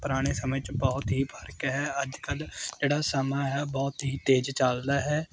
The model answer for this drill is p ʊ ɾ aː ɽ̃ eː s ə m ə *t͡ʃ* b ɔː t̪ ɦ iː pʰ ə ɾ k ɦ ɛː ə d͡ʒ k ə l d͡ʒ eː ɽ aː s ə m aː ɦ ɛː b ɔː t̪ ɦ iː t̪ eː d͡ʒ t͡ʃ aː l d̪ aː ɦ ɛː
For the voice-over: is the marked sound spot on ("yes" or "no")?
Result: yes